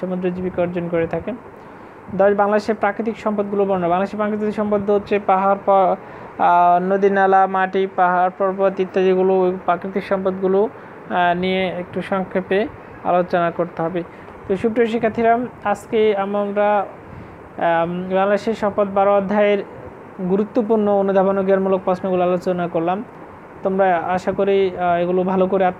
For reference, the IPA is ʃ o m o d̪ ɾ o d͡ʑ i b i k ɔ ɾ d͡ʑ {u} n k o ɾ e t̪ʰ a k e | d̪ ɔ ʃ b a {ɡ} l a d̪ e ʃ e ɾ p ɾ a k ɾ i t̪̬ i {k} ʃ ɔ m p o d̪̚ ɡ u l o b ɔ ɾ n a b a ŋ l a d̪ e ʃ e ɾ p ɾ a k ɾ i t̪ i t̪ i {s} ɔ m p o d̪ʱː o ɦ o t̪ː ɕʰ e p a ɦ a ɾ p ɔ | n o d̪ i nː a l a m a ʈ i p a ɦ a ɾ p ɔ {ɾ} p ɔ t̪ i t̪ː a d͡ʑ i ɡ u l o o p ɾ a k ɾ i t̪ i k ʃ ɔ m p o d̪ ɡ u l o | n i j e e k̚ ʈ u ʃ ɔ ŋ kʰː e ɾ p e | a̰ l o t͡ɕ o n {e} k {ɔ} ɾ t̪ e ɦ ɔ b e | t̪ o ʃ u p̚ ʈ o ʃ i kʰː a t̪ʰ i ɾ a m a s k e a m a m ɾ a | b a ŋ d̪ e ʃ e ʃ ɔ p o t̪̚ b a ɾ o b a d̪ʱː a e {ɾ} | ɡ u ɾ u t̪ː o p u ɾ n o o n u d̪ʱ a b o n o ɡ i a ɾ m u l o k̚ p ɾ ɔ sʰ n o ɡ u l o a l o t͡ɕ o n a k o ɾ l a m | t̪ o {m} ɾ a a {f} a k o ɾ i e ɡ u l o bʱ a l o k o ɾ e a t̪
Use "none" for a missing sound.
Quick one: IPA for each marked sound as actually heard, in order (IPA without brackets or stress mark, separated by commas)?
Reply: o, ŋ, k, ʃ, ɾ, a, o, ɾ, m, ʃ